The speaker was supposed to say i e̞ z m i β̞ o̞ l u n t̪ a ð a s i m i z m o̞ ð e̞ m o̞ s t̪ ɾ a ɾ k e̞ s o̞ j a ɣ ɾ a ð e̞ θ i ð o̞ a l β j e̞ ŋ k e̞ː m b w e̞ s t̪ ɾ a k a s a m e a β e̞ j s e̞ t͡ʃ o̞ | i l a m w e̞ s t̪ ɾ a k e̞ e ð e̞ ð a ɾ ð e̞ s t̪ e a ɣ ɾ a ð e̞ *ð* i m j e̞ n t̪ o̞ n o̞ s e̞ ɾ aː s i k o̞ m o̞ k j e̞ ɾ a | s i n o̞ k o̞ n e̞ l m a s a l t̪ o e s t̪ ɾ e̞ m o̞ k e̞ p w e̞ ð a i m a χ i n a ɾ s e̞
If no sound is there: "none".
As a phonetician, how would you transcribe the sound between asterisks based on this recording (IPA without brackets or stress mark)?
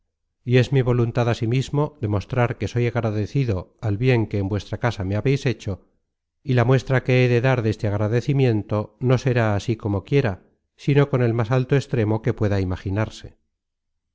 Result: θ